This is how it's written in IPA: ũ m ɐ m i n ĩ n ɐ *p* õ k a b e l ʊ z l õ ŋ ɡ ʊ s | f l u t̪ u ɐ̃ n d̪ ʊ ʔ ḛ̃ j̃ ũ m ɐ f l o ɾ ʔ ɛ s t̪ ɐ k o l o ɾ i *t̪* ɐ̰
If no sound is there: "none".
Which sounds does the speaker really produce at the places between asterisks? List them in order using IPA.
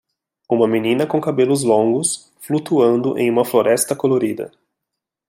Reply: k, d̪

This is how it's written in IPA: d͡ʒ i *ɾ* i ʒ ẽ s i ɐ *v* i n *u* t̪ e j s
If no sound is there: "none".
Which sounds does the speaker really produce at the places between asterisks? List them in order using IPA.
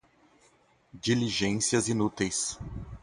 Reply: l, z, u

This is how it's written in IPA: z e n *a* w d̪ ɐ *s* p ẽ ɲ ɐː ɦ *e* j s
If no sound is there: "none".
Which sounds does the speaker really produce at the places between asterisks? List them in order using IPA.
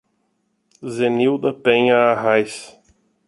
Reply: i, none, a

